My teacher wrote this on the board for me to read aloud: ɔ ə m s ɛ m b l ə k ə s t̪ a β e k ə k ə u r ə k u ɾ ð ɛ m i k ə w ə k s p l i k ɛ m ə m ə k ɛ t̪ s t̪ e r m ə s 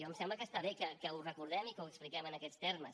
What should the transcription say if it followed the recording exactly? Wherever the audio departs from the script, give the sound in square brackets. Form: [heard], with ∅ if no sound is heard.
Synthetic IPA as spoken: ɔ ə m s ɛ m b l ə k ə s t̪ a β e k ə k ə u r ə k u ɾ ð ɛ m i k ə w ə k s p l i k ɛ m ə [n] ə k ɛ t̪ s t̪ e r m ə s